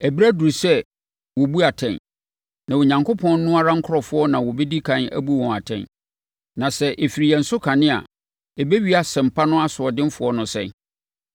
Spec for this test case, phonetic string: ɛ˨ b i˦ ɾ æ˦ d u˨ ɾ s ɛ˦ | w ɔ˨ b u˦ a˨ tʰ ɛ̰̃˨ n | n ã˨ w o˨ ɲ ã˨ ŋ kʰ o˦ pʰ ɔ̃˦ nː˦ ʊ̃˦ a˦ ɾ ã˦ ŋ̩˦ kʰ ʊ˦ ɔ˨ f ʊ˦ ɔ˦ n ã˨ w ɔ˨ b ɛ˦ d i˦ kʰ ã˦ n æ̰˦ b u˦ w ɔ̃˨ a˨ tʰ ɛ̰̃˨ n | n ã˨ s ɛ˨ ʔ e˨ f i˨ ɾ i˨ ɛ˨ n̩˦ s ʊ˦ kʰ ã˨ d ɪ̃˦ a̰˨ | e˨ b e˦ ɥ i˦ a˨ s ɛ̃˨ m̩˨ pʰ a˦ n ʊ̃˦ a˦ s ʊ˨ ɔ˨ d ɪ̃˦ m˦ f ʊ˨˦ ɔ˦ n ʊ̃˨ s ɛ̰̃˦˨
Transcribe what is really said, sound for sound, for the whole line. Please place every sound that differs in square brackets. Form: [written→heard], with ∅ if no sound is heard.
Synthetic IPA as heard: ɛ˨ b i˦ ɾ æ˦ d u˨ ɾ s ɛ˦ | w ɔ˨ b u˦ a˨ tʰ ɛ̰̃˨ n | n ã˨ w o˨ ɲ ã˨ ŋ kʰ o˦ pʰ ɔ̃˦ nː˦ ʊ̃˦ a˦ ɾ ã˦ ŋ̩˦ kʰ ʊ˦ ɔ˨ f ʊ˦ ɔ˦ n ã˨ w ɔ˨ b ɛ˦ d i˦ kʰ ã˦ n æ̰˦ b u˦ w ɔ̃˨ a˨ tʰ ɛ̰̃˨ n | n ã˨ s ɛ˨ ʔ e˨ f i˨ ɾ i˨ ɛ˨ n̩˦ s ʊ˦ kʰ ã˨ [d→n] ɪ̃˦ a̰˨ | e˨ b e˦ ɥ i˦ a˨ s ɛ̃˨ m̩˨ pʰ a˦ n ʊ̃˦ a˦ s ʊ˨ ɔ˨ d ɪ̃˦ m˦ f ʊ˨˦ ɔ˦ n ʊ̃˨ s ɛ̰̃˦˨

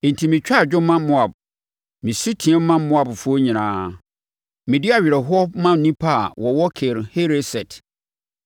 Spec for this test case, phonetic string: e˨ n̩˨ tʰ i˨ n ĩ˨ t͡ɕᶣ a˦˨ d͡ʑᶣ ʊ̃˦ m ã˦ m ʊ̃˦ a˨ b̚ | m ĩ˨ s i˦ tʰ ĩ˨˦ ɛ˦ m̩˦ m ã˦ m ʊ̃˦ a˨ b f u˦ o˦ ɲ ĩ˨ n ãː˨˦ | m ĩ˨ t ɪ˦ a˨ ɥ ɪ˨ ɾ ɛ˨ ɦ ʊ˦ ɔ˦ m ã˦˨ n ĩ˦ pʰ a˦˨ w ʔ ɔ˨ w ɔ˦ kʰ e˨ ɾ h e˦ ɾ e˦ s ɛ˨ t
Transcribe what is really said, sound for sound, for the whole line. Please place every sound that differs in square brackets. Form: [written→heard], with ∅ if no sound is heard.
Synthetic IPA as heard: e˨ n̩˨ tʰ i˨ [n→m] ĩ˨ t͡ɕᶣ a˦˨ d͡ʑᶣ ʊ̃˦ m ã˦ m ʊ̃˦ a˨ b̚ | m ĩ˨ s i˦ tʰ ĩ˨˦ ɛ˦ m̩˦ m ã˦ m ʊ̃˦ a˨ b f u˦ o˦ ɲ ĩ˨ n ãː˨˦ | m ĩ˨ [t→d] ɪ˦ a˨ ɥ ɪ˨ ɾ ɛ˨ ɦ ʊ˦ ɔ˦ m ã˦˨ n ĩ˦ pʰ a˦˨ w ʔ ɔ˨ w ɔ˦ kʰ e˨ ɾ h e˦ ɾ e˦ s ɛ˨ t

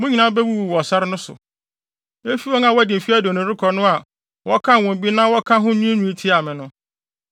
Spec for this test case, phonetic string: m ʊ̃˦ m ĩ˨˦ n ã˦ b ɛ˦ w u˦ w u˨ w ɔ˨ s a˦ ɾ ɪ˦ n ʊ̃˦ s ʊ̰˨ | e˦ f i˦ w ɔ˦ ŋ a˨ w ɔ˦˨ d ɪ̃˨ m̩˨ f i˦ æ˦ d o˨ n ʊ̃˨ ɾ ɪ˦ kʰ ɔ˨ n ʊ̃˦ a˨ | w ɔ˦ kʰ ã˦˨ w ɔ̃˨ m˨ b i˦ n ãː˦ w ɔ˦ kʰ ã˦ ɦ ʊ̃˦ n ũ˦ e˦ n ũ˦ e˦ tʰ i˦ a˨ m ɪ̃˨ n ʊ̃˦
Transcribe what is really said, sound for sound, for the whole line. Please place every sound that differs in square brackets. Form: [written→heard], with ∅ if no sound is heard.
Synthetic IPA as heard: m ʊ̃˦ [m→ɲ] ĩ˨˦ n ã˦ b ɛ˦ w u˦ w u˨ w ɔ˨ s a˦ ɾ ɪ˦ n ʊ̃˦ s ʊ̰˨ | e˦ f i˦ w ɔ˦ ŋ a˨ w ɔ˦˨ d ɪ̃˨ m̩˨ f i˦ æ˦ d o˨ n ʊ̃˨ ɾ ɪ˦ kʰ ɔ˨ n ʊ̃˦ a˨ | w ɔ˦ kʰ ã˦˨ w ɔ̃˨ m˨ b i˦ n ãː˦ w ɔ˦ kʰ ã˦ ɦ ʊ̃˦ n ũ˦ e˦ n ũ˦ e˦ tʰ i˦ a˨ m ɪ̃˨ n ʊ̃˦

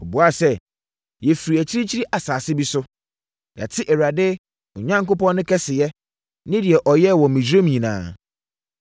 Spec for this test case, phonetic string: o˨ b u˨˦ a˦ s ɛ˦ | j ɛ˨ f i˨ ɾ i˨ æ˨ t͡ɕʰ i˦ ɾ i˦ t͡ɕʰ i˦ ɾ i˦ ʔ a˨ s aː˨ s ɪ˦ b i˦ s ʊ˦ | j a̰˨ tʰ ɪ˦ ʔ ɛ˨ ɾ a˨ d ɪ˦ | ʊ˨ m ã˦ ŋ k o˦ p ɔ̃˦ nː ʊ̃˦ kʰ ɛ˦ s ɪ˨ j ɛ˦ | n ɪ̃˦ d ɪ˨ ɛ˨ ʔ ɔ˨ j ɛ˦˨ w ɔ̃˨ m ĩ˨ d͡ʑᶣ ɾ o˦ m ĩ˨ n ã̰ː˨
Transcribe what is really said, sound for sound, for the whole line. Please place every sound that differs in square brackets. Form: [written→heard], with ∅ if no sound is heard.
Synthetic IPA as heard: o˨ b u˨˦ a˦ s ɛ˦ | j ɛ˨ f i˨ ɾ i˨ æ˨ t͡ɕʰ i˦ ɾ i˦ t͡ɕʰ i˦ ɾ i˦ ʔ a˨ s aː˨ s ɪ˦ b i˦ s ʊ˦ | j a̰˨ tʰ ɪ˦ ʔ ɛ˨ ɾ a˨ d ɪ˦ | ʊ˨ [m→ɲ] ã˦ ŋ k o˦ p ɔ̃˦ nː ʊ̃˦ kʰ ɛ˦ s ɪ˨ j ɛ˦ | n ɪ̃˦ d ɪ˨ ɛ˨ ʔ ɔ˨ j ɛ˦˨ w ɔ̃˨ m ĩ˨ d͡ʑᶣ ɾ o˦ m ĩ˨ n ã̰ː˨

